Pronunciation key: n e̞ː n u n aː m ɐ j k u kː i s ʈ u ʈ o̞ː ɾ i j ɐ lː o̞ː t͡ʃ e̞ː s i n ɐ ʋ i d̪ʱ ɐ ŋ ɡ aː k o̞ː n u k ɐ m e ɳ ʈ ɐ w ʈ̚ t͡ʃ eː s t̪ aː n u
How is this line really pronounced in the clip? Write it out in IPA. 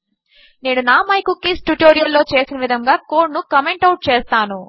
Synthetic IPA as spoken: n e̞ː n u n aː m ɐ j k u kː i s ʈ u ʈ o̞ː ɾ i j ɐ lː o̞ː t͡ʃ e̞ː s i n ɐ ʋ i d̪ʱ ɐ ŋ ɡ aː k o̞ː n u k ɐ m e ɳ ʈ ɐ w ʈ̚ t͡ʃ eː s t̪ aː n u

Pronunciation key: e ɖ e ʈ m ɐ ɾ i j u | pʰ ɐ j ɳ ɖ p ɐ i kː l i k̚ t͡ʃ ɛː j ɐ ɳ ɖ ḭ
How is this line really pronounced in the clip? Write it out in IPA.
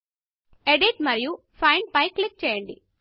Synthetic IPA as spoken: e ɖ i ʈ m ɐ ɾ i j u | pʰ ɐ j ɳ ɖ p ɐ j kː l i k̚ t͡ʃ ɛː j ɐ ɳ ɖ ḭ

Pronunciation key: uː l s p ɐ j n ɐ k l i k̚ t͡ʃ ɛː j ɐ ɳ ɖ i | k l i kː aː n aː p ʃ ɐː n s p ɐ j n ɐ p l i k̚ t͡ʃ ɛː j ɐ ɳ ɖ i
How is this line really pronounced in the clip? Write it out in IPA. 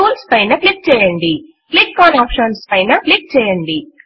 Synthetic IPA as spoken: uː l s p ɐ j n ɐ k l i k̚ t͡ʃ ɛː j ɐ ɳ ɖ i | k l i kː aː n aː p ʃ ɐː n s p ɐ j n ɐ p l i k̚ t͡ʃ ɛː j ɐ ɳ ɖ i

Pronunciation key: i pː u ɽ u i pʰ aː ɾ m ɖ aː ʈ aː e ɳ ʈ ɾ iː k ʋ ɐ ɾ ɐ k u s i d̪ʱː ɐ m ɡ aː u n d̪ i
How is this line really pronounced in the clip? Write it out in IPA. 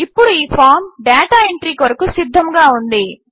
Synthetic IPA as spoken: i pː u ɽ u iː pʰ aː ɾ m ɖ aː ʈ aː e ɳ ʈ ɾ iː k ʋ ɐ ɾ ɐ k u s i d̪ʱː ɐ m ɡ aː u n d̪ i

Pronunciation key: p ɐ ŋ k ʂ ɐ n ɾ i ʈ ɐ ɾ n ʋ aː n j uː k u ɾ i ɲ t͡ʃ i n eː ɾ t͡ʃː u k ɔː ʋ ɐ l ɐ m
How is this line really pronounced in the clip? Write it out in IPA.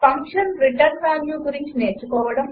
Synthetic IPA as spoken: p ɐ ŋ k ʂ ɐ n ɾ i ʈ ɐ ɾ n ʋ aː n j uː ɡ u ɾ i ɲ t͡ʃ i n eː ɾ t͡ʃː u k ɔː ʋ ɐ ɽ ɐ m

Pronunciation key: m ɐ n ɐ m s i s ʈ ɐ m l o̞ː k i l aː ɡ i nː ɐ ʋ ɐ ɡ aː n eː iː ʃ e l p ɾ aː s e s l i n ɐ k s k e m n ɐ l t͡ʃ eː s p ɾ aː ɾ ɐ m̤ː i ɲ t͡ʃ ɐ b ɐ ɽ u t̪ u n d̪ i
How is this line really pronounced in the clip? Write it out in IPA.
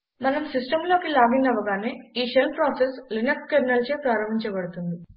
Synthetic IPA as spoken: m ɐ n ɐ m s i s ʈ ɐ m l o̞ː k i l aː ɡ i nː ɐ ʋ ɐ ɡ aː n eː iː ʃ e l p ɾ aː s e s l i n ɐ k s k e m n ɐ l t͡ʃ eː p ɾ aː ɾ ɐ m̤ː i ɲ t͡ʃ ɐ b ɐ ɽ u t̪ u n d̪ i

